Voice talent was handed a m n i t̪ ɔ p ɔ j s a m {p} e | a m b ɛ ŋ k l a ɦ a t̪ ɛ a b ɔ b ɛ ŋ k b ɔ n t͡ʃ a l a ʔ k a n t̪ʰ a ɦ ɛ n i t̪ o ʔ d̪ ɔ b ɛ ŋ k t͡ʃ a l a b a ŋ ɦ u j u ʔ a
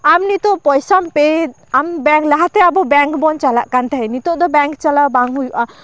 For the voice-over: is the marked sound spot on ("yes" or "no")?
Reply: yes